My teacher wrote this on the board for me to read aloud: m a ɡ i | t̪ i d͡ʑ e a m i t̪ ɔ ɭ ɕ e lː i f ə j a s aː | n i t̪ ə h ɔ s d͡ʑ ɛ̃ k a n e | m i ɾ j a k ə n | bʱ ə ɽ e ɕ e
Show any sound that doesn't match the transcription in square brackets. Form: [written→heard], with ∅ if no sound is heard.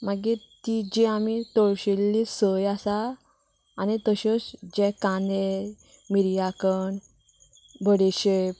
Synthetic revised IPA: m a ɡ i | t̪ i d͡ʑ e a m i t̪ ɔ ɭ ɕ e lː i [f→s] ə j a s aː | n i t̪ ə [h→ɕ] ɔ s d͡ʑ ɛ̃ k a n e | m i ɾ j a k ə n | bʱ ə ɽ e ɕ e